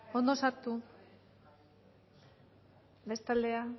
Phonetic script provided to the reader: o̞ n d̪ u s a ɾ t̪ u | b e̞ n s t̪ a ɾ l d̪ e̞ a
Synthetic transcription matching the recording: o̞ n d̪ o s a ɾ t̪ u | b e̞ s t̪ a l d̪ e̞ a